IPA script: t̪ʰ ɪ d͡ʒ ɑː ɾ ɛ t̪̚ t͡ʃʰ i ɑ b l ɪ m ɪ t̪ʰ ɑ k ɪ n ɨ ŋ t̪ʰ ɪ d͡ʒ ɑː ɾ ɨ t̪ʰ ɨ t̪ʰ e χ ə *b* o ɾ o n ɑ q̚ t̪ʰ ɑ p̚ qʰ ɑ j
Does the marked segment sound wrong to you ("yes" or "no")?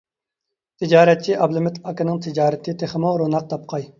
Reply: yes